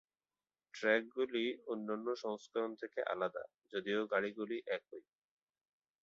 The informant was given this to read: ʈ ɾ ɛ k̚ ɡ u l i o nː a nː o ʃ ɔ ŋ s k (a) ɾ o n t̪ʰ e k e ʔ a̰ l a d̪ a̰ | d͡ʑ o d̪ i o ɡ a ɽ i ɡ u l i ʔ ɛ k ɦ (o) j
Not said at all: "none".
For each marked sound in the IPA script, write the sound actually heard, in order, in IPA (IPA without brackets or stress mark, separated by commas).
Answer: a, o